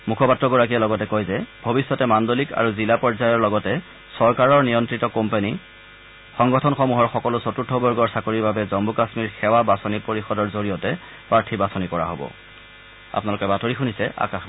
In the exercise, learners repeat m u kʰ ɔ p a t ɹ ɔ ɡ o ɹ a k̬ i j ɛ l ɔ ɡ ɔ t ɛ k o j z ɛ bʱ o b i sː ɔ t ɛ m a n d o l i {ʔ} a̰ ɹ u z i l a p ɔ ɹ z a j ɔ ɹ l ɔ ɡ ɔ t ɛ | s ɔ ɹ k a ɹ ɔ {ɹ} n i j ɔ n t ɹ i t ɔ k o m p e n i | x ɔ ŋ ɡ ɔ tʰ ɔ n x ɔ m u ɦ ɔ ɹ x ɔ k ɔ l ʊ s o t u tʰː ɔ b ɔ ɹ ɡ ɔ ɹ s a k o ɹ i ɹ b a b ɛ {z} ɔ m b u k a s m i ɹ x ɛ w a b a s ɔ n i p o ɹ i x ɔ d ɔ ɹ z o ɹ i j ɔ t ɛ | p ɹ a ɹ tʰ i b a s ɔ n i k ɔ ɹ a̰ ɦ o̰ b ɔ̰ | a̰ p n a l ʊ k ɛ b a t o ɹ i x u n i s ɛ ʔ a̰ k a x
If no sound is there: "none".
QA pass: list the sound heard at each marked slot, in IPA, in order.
k, ɹ, z

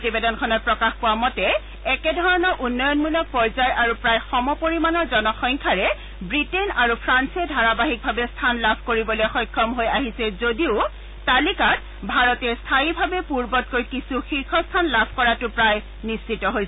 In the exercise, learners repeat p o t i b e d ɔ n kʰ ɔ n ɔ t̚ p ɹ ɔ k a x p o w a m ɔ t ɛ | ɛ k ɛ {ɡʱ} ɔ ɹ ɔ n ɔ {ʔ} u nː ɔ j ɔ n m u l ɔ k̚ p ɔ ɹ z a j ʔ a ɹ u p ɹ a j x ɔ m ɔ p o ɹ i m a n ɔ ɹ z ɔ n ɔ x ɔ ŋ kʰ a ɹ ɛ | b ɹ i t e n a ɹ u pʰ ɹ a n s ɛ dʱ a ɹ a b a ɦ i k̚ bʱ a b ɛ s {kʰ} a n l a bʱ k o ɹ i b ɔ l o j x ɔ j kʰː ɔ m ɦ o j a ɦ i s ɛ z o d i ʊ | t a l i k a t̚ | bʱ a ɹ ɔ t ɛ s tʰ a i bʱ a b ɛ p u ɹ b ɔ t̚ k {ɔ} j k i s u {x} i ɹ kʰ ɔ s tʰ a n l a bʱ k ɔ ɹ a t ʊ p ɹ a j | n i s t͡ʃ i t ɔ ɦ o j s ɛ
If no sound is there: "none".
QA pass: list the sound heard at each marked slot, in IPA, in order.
dʱ, ʔ, tʰ, o, x

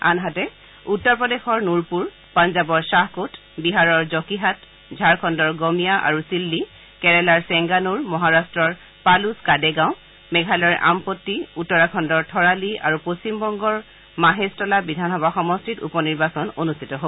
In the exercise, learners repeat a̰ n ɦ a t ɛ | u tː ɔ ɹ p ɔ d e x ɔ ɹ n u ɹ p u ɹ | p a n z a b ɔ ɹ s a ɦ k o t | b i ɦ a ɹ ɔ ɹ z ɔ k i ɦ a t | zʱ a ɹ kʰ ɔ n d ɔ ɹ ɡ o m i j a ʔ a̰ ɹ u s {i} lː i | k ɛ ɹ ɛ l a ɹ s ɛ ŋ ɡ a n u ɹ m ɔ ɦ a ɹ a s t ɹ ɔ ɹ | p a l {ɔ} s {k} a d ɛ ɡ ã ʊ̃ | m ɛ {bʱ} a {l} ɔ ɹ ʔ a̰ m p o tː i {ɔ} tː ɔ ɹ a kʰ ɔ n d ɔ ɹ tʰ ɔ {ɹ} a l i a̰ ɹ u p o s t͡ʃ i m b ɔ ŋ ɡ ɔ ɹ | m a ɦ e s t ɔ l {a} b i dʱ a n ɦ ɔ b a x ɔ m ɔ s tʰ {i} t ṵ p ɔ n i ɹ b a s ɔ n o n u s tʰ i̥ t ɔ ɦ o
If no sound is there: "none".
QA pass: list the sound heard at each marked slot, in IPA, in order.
i, u, k, ɡʱ, l, u, ɹ, a, i

